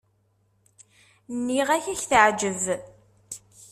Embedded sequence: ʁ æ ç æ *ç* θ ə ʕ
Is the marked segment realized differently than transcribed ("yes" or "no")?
no